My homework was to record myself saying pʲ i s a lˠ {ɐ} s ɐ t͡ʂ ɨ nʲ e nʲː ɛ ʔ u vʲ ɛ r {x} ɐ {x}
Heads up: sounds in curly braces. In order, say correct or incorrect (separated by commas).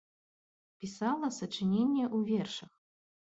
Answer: correct, incorrect, correct